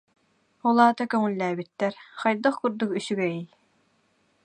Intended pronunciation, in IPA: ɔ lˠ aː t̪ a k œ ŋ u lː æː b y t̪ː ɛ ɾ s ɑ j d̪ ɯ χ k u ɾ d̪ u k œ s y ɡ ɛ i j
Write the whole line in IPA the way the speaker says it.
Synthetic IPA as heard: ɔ lˠ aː t̪ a k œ ŋ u lː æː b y t̪ː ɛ ɾ χ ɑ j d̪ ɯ χ k u ɾ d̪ u k y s y ɡ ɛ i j